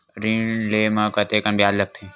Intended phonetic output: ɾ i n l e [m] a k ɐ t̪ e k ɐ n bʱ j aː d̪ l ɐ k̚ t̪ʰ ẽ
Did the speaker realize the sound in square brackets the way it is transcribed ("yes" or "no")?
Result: yes